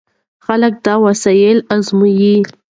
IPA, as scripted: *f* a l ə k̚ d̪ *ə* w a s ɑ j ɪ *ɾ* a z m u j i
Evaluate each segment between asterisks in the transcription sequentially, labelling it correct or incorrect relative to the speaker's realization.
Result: incorrect: x, incorrect: ɑ, incorrect: l

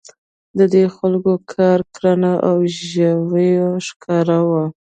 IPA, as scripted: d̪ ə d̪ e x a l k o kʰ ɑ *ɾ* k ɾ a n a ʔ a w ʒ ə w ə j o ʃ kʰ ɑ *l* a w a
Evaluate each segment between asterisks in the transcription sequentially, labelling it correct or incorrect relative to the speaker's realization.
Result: correct, incorrect: ɾ

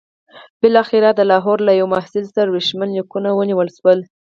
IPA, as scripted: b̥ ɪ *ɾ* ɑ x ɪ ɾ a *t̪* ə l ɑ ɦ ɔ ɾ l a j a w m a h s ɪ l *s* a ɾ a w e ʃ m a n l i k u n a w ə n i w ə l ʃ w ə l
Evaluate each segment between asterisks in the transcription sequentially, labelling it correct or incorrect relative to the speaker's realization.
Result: incorrect: l, incorrect: d̪, correct

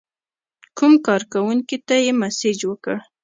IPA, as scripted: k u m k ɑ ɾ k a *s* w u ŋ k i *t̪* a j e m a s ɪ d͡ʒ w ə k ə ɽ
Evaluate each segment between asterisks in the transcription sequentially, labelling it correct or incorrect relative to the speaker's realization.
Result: incorrect: none, correct

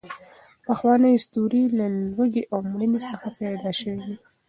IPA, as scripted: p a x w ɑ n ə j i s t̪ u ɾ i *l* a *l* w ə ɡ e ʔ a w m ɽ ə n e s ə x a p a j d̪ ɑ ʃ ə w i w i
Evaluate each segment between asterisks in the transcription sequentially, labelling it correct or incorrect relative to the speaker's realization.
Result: correct, correct

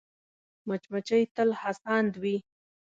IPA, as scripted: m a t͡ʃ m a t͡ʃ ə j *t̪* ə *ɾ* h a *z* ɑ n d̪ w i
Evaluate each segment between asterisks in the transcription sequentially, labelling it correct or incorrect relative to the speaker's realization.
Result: correct, incorrect: l, incorrect: s

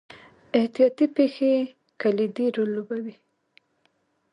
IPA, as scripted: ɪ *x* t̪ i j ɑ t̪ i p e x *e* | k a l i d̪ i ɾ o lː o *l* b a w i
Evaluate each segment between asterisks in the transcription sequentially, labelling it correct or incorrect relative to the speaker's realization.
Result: incorrect: h, correct, incorrect: none

